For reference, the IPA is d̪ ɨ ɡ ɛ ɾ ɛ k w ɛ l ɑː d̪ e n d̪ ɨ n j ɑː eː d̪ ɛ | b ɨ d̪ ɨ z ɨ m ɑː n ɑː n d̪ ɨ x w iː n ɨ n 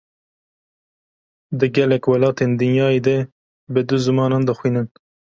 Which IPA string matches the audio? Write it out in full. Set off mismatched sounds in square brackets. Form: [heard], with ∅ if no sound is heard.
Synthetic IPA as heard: d̪ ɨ ɡ ɛ [l] ɛ k w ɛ l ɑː [t̪] e n d̪ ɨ n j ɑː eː d̪ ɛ | b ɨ d̪ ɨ z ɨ m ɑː n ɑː n d̪ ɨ x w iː n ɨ n